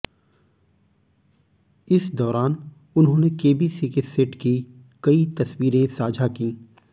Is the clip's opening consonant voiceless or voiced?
voiceless